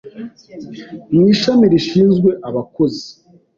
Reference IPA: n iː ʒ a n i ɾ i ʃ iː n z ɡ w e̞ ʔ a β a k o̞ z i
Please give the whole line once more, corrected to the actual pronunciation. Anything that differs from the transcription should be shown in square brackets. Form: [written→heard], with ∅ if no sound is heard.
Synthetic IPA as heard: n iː [ʒ→ʃ] a [n→m] i ɾ i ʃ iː n z ɡ w e̞ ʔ a β a k o̞ z i